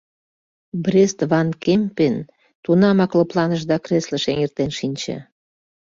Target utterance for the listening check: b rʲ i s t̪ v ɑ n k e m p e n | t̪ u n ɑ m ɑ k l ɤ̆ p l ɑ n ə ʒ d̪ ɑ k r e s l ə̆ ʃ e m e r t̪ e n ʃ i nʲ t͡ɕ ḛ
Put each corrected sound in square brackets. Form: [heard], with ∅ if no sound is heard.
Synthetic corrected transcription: b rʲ [e] s t̪ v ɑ n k e m p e n | t̪ u n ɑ m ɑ k l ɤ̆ p l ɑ n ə ʒ d̪ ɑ k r e s l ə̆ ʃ e [ŋ] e r t̪ e n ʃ i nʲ t͡ɕ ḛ